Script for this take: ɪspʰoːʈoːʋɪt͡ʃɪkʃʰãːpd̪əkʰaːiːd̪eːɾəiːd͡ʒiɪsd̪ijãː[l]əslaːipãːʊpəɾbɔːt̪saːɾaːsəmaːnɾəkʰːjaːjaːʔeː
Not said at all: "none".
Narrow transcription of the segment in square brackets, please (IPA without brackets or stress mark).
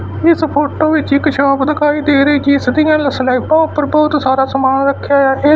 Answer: l